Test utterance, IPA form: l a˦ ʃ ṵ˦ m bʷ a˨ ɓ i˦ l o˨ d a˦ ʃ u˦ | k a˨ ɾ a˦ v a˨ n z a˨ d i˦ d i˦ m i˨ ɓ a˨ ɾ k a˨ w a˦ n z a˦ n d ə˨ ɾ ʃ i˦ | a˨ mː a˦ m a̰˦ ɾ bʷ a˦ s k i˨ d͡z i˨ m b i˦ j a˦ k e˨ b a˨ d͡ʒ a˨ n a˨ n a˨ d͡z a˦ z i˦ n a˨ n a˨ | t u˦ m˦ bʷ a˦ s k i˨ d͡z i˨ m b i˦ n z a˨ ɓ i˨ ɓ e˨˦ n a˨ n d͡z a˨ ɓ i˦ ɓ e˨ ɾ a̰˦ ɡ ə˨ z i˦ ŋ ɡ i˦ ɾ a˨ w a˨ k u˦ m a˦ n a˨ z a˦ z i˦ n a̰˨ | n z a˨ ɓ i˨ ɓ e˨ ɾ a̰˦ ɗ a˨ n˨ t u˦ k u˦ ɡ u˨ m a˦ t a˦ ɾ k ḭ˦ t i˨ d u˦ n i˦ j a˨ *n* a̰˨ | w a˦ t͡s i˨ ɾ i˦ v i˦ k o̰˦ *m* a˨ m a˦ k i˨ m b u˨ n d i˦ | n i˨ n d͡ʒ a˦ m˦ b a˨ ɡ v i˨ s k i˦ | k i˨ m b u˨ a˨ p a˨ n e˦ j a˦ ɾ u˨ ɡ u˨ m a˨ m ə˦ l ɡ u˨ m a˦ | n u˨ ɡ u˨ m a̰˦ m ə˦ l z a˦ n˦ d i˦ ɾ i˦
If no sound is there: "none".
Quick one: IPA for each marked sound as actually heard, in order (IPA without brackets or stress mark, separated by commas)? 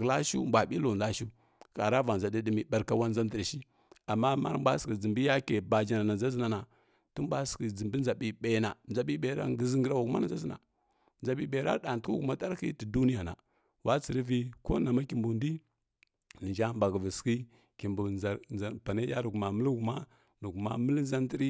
n, n